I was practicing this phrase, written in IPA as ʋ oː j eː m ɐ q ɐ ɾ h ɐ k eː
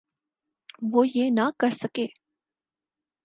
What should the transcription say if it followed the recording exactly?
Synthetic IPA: ʋ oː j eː n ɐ k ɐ ɾ s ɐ k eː